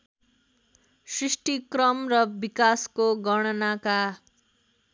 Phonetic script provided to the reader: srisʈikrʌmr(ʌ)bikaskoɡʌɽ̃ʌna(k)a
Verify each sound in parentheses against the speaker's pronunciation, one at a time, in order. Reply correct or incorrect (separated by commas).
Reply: correct, correct